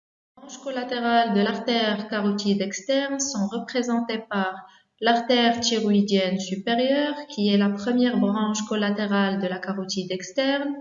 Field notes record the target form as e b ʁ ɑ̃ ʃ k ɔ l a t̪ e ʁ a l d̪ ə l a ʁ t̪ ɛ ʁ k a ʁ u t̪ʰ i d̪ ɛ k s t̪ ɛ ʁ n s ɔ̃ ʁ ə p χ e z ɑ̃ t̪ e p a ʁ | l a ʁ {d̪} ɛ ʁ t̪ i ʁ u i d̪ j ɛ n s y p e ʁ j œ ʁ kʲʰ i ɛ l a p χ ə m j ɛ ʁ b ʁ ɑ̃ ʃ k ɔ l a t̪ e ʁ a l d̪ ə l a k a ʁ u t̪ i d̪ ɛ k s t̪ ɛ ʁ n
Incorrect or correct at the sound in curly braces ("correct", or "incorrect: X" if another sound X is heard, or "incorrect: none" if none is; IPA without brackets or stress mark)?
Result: incorrect: t̪